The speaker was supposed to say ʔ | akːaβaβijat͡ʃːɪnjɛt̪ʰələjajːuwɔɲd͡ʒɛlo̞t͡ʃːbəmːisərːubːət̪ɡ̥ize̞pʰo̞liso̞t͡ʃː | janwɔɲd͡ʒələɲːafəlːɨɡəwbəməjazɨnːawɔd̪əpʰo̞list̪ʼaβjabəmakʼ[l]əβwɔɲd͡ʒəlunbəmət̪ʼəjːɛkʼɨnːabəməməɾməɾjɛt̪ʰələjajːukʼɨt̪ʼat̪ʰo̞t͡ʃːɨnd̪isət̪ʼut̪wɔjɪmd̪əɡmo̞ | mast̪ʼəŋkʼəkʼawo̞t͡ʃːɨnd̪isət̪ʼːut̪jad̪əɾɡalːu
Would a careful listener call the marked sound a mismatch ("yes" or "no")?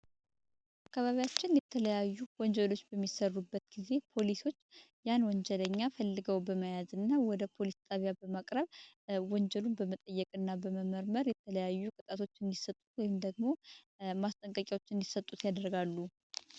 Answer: yes